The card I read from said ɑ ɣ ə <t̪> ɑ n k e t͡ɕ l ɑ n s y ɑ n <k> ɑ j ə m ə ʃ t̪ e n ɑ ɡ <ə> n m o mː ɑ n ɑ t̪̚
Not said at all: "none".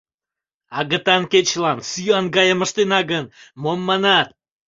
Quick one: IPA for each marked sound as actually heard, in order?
t̪, ɡ, ə

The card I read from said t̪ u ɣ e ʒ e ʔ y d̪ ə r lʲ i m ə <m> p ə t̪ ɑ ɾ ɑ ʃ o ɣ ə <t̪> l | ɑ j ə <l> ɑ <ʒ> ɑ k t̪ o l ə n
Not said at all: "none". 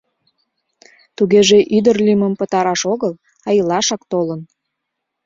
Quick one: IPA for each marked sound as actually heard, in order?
m, none, l, ʃ

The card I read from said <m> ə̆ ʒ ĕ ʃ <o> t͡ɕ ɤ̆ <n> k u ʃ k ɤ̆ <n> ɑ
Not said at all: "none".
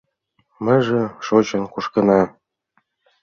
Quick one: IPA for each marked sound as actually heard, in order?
m, o, n, n

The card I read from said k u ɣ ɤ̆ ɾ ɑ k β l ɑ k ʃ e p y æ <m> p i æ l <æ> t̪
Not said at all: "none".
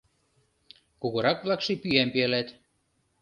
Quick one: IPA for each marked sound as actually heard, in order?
m, æ

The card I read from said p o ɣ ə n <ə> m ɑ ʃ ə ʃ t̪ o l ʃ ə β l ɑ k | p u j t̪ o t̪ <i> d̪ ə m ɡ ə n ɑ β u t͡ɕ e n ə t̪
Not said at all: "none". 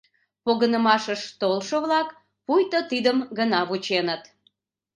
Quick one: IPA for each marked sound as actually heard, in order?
ə, i

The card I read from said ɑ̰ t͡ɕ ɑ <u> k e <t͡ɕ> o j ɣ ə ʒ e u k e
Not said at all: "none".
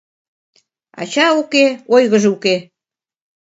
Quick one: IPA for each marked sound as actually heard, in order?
u, none

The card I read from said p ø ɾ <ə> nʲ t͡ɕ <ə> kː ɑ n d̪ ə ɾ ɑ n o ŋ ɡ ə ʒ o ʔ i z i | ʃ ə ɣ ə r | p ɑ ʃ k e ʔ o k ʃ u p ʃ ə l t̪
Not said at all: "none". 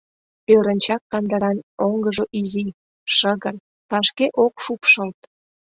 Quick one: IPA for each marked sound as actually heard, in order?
ə, ɑ

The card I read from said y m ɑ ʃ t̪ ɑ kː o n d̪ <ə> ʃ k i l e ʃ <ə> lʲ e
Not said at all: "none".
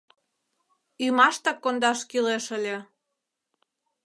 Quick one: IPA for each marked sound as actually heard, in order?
ɑ, ə

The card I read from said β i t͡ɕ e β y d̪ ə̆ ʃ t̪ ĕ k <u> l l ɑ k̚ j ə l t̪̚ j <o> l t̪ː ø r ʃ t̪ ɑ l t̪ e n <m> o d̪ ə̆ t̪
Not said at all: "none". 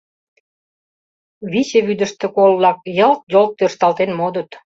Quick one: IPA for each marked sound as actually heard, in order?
o, o, m

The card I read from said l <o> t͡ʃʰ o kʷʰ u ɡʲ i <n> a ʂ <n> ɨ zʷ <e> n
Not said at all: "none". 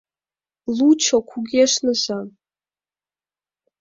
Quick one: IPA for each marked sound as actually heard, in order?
u, none, n, a

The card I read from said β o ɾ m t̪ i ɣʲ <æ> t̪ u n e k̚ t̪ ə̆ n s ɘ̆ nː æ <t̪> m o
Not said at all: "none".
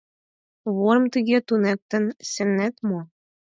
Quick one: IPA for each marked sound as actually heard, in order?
e, t̪

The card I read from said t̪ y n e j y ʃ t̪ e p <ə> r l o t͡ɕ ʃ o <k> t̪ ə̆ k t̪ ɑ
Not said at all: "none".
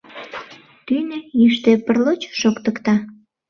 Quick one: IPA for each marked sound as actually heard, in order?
ə, k

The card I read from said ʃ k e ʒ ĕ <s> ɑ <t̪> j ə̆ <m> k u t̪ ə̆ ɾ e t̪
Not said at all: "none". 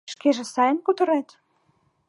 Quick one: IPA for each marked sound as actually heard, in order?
s, none, n

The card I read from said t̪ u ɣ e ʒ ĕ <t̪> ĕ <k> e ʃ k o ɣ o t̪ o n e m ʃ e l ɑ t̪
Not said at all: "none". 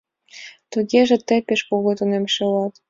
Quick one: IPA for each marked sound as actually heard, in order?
t̪, p

